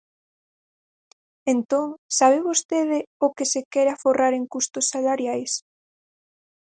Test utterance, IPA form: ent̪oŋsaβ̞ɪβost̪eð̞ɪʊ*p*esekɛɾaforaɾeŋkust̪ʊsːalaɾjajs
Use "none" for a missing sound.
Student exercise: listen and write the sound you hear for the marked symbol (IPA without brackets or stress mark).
k